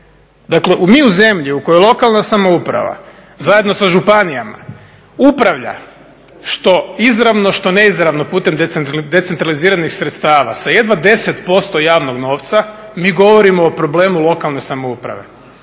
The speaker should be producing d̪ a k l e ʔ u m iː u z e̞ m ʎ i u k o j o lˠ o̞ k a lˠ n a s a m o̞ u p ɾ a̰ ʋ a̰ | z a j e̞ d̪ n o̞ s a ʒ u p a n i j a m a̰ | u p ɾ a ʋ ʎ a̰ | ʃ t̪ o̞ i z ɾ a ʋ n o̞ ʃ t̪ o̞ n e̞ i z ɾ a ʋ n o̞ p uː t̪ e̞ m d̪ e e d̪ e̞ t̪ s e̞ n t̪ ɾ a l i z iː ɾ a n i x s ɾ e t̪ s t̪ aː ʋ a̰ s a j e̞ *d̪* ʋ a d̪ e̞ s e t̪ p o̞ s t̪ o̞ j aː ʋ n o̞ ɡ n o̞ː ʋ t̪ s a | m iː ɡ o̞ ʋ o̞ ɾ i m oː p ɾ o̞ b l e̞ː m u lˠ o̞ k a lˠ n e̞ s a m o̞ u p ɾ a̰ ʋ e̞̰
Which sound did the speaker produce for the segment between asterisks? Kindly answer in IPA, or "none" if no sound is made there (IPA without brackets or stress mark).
d̪